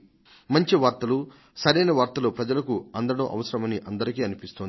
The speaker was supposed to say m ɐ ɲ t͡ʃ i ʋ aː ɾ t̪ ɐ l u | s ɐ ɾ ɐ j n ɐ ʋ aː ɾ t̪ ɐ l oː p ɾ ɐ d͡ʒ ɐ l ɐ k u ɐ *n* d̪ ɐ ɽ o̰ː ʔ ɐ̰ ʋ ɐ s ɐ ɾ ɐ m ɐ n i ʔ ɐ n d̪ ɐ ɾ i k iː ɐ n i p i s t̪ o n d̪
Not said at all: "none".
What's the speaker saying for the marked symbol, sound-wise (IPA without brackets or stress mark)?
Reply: n